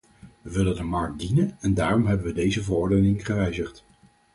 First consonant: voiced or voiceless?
voiced